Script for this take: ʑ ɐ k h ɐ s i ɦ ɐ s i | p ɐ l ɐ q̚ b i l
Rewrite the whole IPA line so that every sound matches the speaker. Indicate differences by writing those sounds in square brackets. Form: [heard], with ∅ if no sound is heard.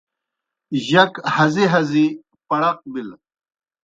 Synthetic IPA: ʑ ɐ k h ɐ [z] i ɦ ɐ [z] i | p ɐ [ɽ] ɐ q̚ b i l